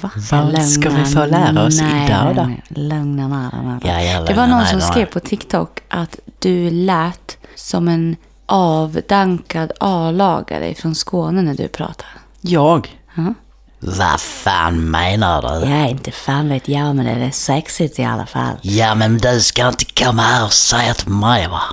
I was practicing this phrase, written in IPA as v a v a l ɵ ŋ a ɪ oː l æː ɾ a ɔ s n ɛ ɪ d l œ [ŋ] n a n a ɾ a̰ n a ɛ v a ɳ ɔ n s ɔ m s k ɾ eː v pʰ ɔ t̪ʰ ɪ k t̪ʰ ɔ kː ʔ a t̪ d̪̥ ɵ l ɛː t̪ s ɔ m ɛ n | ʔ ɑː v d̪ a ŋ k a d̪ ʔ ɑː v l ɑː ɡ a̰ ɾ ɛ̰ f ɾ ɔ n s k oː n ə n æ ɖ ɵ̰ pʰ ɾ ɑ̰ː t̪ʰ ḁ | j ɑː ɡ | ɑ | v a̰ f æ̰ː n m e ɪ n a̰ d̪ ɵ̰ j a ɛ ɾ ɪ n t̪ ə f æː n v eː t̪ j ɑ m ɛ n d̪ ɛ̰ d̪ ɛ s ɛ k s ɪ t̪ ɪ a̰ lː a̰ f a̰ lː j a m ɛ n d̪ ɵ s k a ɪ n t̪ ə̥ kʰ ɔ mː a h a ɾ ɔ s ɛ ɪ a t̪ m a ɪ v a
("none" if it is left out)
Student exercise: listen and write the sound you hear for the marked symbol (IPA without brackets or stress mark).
ŋ